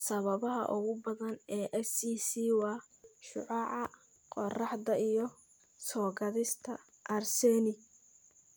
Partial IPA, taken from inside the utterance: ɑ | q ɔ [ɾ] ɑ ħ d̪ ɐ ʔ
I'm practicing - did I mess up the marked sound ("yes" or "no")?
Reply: yes